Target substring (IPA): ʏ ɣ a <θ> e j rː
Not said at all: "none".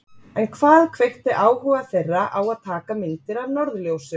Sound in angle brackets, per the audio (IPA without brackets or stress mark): θ